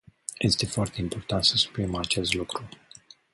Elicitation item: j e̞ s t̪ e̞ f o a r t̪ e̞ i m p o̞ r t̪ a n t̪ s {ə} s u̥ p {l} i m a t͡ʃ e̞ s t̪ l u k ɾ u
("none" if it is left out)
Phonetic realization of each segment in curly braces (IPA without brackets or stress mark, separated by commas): ə, ɾ